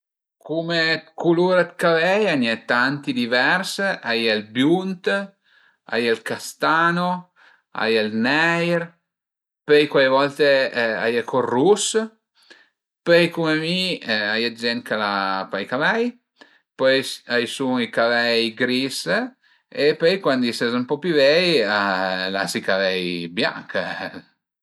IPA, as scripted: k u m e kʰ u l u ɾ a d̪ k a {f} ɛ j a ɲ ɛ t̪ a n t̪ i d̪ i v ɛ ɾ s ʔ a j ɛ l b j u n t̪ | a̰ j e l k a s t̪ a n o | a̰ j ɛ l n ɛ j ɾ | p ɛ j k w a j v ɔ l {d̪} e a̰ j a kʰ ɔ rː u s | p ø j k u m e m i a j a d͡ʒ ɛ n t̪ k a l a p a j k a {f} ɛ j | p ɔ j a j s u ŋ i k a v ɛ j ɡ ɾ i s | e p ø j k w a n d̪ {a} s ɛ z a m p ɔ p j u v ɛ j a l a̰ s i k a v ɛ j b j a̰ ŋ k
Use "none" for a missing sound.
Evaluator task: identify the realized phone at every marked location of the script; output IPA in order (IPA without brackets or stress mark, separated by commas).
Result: v, t̪, v, i